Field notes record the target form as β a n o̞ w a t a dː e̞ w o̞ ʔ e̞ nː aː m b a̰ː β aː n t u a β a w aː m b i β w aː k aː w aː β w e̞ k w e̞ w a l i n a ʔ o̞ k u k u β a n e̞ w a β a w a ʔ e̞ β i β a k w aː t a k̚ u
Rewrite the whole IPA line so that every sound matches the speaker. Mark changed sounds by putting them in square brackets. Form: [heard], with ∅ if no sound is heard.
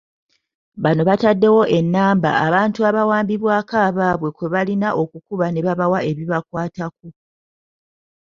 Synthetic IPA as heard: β a n o̞ [β] a t a dː e̞ w o̞ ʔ e̞ nː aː m b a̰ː β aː n t u a β a w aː m b i β w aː k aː [β] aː β w e̞ k w e̞ [β] a l i n a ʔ o̞ k u k u β a n e̞ [β] a β a w a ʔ e̞ β i β a k w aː t a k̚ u